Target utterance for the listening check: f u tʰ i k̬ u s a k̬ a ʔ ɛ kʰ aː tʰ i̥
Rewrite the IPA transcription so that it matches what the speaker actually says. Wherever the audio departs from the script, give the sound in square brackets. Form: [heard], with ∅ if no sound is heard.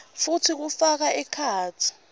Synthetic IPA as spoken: f u tʰ i k̬ u [f] a k̬ a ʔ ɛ kʰ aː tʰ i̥